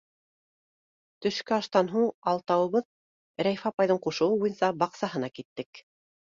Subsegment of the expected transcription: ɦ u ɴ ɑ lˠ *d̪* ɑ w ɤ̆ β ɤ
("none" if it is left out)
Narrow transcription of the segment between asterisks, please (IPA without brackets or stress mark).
t̪